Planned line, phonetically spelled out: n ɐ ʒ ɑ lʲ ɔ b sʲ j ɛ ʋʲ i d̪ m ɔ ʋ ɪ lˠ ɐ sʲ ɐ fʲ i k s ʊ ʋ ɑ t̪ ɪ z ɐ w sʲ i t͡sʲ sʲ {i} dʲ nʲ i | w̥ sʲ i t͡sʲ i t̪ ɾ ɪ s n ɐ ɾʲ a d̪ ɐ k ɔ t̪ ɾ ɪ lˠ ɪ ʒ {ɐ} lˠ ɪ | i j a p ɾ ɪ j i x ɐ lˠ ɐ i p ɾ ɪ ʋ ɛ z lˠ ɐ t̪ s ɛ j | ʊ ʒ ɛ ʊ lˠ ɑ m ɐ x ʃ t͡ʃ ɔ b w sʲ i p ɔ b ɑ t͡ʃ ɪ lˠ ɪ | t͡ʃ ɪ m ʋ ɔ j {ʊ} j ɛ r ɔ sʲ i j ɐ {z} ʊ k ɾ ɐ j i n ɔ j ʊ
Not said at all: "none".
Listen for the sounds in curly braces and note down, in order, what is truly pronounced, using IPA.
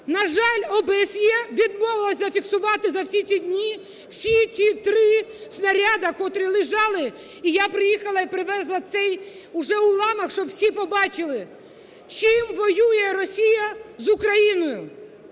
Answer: i, ɑ, u, z

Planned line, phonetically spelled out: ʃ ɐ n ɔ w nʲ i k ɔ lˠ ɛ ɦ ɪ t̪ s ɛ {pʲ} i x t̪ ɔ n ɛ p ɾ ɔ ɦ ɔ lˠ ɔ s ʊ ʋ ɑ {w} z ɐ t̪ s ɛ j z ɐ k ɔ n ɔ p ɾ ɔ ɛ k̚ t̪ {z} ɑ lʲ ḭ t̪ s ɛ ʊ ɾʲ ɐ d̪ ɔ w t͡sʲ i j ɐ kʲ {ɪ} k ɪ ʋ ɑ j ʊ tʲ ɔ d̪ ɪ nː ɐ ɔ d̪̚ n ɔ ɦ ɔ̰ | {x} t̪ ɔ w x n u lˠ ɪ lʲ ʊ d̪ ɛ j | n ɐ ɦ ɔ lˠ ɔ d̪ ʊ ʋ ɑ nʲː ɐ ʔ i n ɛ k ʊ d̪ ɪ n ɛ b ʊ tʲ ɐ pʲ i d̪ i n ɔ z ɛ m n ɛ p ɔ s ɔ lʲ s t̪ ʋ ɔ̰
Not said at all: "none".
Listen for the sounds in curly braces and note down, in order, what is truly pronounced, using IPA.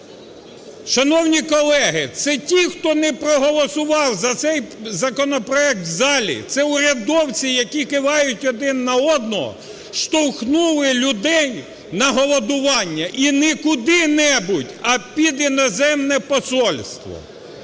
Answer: tʲ, w, z, i, ʃ

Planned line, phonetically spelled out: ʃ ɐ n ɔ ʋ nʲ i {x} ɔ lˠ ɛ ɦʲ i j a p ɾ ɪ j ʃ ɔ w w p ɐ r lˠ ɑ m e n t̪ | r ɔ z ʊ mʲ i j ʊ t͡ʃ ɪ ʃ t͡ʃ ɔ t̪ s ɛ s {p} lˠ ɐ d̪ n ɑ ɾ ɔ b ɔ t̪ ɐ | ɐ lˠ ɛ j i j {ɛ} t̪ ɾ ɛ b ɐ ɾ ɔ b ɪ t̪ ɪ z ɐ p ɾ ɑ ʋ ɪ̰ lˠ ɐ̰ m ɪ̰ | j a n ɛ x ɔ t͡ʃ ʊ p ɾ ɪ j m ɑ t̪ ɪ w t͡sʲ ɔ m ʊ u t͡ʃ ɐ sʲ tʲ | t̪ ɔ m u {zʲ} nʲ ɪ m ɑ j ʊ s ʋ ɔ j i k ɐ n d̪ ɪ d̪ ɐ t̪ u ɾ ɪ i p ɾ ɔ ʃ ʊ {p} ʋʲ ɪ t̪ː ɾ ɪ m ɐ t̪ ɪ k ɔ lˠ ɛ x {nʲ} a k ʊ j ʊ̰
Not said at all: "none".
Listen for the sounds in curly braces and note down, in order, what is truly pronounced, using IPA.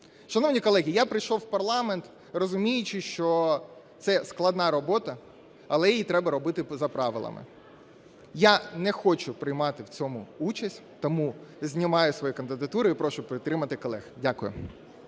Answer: k, k, i, zʲ, p, dʲ

